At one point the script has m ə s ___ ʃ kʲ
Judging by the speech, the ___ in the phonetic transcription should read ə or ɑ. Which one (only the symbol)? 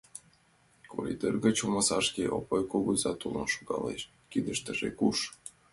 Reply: ɑ